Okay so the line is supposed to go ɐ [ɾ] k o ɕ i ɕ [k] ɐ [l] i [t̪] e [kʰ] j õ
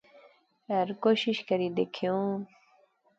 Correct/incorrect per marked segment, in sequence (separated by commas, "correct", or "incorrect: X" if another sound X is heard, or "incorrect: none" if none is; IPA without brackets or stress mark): correct, correct, incorrect: ɾ, incorrect: d̪, correct